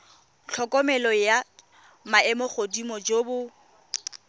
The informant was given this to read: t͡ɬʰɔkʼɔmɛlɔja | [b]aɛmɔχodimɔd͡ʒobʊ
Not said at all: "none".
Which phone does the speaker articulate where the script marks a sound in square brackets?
m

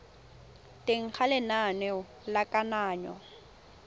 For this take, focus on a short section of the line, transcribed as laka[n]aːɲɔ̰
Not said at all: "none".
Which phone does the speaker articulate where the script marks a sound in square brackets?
n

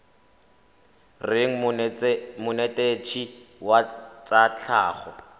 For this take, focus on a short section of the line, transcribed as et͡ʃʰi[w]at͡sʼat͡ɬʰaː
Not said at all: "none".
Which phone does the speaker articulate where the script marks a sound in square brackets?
w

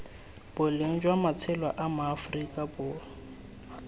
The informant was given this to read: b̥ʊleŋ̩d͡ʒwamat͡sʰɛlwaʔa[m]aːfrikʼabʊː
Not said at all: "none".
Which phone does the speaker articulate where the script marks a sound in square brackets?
m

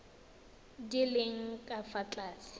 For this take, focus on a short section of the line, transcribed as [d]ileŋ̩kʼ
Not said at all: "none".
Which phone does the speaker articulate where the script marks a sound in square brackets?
d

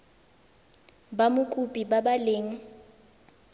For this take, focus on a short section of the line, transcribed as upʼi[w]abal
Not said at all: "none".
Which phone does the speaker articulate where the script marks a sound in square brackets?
b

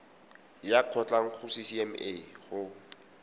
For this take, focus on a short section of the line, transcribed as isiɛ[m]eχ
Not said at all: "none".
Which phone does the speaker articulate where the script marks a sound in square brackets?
m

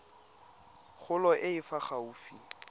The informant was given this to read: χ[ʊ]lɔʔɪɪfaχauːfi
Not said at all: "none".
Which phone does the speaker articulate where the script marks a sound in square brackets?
ʊ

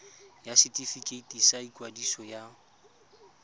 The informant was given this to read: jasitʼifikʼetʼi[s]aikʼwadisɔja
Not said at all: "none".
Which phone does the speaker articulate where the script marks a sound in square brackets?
s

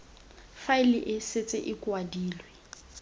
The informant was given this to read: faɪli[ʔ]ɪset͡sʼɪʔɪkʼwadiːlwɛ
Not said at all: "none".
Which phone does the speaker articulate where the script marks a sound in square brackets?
ʔ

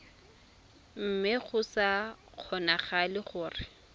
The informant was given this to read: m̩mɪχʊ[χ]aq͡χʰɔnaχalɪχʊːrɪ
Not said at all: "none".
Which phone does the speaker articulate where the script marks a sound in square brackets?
s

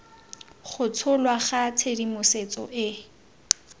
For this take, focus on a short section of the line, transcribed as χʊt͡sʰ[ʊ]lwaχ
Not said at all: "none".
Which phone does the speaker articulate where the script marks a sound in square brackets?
ʊ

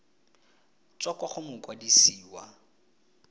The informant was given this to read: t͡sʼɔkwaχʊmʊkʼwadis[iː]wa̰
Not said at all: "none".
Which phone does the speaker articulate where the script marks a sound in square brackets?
iː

